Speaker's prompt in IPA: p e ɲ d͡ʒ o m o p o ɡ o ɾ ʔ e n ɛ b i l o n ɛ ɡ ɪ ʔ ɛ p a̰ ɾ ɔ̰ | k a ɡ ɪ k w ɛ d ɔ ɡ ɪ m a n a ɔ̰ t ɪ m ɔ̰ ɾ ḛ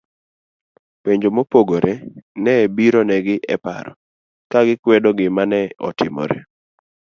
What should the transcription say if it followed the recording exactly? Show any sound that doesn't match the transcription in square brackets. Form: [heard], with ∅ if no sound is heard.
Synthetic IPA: p e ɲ d͡ʒ o m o p o ɡ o ɾ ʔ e n ɛ b i [ɾ] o n ɛ ɡ ɪ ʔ ɛ p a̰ ɾ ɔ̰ | k a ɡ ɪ k w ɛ d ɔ ɡ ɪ m a n [ɛ] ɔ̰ t ɪ m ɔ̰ ɾ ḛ

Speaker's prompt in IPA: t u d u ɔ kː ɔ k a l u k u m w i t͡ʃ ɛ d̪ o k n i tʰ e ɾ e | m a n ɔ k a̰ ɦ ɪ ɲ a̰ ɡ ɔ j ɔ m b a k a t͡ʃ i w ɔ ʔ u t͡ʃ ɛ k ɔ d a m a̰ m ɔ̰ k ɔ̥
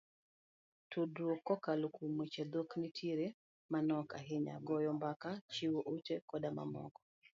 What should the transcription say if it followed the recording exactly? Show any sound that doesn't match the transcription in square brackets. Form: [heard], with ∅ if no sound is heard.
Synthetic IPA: t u d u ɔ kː ɔ k a l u k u m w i t͡ʃ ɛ d̪ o k n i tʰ [i] ɾ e | m a n ɔ k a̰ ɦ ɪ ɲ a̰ ɡ ɔ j ɔ m b a k a t͡ʃ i w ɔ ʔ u t͡ʃ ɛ k ɔ d a m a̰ m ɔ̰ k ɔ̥

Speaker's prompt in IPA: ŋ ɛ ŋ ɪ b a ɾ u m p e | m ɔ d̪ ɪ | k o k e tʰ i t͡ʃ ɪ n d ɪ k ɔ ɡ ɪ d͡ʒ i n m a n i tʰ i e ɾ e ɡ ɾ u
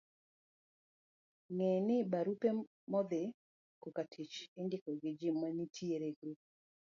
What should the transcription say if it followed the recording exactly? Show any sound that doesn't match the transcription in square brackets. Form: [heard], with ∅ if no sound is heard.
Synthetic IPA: ŋ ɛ [n] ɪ b a ɾ u [∅] p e | m ɔ d̪ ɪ | k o k [a] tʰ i t͡ʃ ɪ n d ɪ k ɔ ɡ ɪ d͡ʒ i [∅] m a n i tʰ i e ɾ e ɡ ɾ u

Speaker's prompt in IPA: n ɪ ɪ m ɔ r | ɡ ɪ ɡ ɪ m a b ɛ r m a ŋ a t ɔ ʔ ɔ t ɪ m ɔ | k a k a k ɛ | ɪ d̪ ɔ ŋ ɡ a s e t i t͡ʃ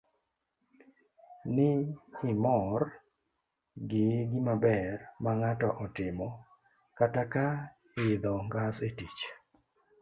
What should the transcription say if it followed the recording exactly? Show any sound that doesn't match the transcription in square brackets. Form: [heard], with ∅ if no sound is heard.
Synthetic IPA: n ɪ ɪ m ɔ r | ɡ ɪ ɡ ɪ m a b ɛ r m a ŋ a t ɔ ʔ ɔ t ɪ m ɔ | k a [t] a k [a] | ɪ d̪ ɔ ŋ ɡ a s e t i t͡ʃ

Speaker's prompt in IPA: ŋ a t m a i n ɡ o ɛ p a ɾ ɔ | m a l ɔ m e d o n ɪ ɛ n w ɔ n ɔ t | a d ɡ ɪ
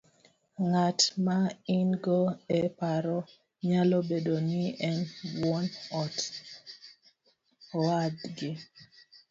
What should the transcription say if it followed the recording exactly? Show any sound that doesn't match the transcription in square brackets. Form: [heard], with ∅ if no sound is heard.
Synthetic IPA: ŋ a t m a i n ɡ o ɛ p a ɾ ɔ | [ɲ] a l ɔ [b] e d o n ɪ ɛ n w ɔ n ɔ t | a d ɡ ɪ

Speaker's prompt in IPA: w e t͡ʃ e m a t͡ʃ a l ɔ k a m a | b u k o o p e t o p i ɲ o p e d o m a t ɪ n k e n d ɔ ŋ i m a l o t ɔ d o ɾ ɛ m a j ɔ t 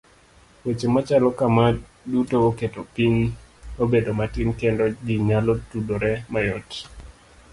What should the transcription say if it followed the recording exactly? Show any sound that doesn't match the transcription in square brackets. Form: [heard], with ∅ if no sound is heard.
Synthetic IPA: w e t͡ʃ e m a t͡ʃ a l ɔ k a m a | [d] u [t] o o [k] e t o p i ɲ o [b] e d o m a t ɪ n k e n d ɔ [ɡ] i [ŋ] a l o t [u] d o ɾ ɛ m a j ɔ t

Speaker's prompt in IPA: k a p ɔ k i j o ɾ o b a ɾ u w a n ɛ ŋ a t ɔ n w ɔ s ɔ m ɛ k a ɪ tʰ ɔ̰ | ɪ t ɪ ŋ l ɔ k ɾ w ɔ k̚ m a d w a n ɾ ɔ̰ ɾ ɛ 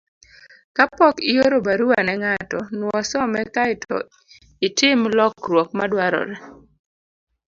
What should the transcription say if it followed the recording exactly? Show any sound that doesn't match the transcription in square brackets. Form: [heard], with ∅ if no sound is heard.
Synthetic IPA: k a p ɔ k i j o ɾ o b a ɾ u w a n ɛ ŋ a t ɔ n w ɔ s ɔ m ɛ k a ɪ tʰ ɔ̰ | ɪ t ɪ [m] l ɔ k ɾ w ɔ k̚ m a d w a [∅] ɾ ɔ̰ ɾ ɛ

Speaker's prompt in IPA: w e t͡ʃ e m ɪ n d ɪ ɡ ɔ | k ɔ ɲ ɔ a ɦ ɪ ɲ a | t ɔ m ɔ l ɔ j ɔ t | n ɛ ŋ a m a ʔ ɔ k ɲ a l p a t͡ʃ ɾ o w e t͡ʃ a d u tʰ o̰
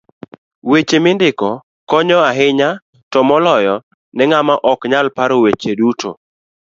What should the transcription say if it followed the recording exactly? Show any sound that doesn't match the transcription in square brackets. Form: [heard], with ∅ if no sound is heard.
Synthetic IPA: w e t͡ʃ e m ɪ n d ɪ [k] ɔ | k ɔ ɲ ɔ a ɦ ɪ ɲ a | t ɔ m ɔ l ɔ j ɔ [∅] | n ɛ ŋ a m a ʔ ɔ k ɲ a l p a [∅] ɾ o w e t͡ʃ [e] d u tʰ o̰

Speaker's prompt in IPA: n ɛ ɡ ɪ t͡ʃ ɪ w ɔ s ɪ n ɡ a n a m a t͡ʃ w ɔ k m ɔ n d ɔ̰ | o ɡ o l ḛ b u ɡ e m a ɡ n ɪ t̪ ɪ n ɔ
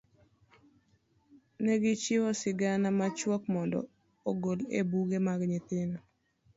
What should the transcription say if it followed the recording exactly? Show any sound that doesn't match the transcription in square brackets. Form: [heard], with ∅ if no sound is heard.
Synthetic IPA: n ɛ ɡ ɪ t͡ʃ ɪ w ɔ s ɪ [∅] ɡ a n a m a t͡ʃ w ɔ k m ɔ n d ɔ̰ | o ɡ o l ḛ b u ɡ e m a ɡ [ɲ] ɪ t̪ ɪ n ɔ

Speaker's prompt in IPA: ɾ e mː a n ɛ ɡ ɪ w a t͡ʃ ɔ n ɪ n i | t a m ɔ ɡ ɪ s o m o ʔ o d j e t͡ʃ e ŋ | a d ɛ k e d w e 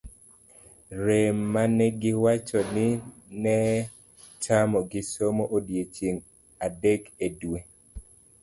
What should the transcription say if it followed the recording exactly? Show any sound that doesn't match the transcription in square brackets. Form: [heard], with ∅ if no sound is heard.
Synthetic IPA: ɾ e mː a n ɛ ɡ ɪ w a t͡ʃ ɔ n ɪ n [ɛ] | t a m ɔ ɡ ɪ s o m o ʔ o d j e t͡ʃ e ŋ | a d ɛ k e d w e

